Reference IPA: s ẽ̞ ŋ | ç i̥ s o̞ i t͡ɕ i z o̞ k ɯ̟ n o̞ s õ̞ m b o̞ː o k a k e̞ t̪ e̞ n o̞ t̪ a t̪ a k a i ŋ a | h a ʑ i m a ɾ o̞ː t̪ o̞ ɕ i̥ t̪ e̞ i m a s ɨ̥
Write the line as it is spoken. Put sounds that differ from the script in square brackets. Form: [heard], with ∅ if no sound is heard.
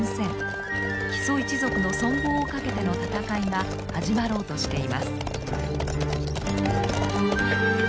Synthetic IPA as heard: s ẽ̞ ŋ | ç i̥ s o̞ i t͡ɕ i z o̞ k ɯ̟ n o̞ s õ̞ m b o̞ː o k a k e̞ t̪ e̞ n o̞ t̪ a t̪ a k a i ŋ a | h a ʑ i m a ɾ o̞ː t̪ o̞ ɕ i̥ t̪ e̞ i m a s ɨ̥